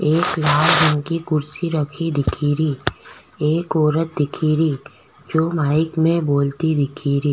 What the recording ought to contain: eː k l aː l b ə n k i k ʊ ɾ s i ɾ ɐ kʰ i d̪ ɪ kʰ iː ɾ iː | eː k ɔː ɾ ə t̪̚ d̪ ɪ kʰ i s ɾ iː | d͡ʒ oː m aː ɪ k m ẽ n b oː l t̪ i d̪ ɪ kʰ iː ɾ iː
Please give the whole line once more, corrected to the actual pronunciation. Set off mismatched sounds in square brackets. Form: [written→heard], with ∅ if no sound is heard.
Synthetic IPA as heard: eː k l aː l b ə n k i k ʊ ɾ s i ɾ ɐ kʰ i d̪ ɪ kʰ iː ɾ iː | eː k ɔː ɾ ə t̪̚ d̪ ɪ kʰ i [s→∅] ɾ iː | d͡ʒ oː m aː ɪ k m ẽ [n→∅] b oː l t̪ i d̪ ɪ kʰ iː ɾ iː